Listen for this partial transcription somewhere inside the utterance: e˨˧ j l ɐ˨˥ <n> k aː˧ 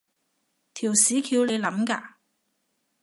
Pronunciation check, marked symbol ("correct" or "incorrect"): incorrect